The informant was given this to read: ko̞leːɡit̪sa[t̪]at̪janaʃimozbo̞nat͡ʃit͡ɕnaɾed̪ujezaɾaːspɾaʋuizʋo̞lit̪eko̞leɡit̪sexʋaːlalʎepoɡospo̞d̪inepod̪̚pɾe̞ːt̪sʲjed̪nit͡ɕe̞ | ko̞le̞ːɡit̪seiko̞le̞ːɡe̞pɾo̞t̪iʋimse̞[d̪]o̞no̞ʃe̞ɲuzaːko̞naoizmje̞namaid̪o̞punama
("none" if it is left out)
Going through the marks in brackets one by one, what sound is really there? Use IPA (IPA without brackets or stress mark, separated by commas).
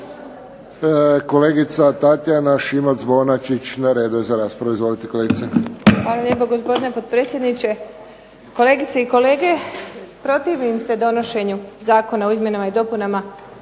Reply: t̪, d̪